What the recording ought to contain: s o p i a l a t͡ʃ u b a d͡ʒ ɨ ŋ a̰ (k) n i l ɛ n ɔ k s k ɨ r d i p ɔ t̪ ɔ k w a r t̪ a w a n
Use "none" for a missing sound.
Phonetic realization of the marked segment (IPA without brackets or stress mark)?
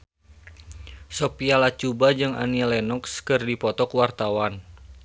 none